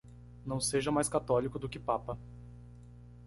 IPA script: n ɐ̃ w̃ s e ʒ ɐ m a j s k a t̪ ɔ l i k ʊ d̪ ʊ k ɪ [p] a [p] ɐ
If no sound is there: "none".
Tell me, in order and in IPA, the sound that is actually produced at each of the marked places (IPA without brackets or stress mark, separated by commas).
p, p